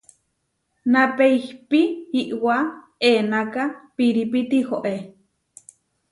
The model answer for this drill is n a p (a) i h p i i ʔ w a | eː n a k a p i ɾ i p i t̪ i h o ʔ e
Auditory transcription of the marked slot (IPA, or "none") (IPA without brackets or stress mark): e